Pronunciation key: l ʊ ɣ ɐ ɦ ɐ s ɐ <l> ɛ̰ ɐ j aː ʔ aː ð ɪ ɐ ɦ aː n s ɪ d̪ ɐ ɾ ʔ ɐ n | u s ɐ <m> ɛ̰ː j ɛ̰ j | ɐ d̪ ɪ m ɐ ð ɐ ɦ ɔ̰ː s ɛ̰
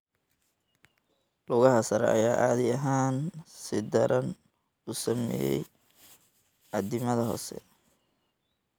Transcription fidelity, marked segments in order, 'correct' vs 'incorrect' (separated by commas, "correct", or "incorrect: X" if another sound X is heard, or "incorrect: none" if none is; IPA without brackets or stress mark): incorrect: ɾ, correct